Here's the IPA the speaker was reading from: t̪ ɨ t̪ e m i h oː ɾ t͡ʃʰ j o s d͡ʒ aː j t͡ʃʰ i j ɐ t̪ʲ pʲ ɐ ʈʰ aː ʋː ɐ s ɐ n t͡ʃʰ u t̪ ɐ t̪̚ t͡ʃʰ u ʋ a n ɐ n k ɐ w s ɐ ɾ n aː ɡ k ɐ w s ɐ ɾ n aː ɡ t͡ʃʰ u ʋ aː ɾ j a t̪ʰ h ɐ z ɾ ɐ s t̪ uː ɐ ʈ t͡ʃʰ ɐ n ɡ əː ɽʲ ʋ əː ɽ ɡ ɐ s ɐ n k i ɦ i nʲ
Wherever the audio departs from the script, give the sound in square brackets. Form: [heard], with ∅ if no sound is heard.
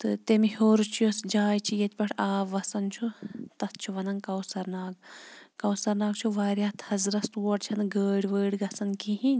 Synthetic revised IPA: t̪ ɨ t̪ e m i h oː ɾ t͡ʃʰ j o s d͡ʒ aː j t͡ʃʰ i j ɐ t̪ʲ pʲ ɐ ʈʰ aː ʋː ɐ s ɐ n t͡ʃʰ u t̪ ɐ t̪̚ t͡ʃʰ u ʋ [ɐ] n ɐ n k ɐ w s ɐ ɾ n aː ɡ k ɐ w s ɐ ɾ n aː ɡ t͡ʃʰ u ʋ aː ɾ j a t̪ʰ h ɐ z ɾ ɐ s t̪ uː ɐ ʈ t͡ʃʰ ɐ n ɡ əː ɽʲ ʋ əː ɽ ɡ ɐ s ɐ n k i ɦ i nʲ